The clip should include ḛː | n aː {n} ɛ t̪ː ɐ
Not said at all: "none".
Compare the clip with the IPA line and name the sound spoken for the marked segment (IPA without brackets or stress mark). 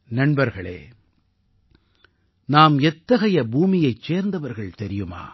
m